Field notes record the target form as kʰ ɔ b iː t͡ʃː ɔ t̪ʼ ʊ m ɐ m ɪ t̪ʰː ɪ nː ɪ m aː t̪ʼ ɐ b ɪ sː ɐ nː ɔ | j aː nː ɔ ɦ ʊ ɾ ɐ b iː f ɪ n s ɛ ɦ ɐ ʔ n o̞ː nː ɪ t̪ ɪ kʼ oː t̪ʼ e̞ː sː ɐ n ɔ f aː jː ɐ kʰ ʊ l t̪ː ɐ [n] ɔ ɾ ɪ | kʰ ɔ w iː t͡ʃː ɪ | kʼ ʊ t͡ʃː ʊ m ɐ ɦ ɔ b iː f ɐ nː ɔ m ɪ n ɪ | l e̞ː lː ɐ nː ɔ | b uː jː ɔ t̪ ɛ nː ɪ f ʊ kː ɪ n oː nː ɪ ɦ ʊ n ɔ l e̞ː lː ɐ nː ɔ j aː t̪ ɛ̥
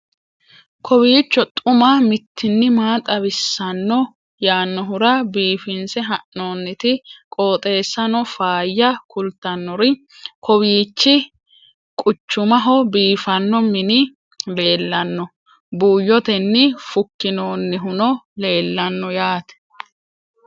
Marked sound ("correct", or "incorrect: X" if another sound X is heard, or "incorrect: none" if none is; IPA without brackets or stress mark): incorrect: nː